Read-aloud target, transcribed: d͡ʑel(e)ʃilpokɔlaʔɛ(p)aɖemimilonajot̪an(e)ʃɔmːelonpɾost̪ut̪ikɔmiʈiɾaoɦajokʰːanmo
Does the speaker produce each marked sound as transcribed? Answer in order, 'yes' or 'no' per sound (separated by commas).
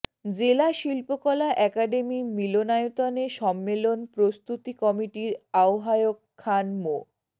no, no, yes